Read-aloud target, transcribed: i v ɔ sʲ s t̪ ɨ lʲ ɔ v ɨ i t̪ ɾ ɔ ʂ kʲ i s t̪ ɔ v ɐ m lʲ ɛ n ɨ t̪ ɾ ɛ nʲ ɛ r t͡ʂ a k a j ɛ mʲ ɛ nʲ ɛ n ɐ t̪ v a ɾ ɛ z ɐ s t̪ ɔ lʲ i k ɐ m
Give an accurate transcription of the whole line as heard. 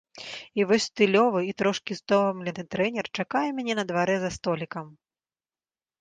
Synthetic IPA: i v ɔ sʲ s t̪ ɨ lʲ ɔ v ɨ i t̪ ɾ ɔ ʂ kʲ i s t̪ ɔ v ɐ m lʲ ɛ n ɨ t̪ ɾ ɛ nʲ ɛ r t͡ʂ a k a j ɛ mʲ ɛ nʲ ɛ n ɐ d̪ v a ɾ ɛ z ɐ s t̪ ɔ lʲ i k ɐ m